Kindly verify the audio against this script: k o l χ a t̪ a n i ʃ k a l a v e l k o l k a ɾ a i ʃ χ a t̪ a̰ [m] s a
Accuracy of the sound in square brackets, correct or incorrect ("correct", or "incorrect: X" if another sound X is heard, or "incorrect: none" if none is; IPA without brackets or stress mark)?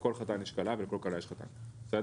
incorrect: n